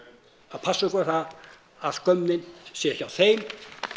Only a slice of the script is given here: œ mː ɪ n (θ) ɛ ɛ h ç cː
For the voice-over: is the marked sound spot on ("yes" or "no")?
no